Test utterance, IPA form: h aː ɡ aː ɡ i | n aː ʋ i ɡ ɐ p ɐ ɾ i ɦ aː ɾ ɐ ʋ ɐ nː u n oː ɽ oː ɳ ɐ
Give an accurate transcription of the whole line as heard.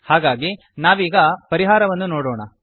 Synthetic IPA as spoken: h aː ɡ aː ɡ i | n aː ʋ iː ɡ ɐ p ɐ ɾ i ɦ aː ɾ ɐ ʋ ɐ nː u n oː ɽ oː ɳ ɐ